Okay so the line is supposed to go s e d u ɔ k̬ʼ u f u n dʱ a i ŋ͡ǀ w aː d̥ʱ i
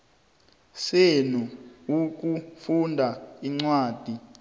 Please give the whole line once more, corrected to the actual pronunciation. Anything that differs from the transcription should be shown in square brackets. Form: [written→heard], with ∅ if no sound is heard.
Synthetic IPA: s e [d→n] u [ɔ→u] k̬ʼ u f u n dʱ a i ŋ͡ǀ w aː d̥ʱ i